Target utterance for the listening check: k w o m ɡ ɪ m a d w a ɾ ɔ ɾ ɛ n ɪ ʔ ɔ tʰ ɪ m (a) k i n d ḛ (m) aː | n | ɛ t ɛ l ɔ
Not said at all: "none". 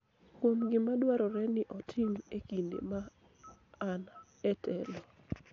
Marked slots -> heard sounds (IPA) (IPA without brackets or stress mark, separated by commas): e, m